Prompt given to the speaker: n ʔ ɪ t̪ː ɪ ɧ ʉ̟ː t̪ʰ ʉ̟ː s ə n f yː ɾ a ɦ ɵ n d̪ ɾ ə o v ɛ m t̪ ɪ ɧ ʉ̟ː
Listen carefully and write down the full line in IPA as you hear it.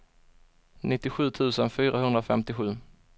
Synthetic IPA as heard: n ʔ ɪ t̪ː ɪ ɧ ʉ̟ː t̪ʰ ʉ̟ː s ə n f yː ɾ a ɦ ɵ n d̪ ɾ a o f ɛ m t̪ ɪ ɧ ʉ̟ː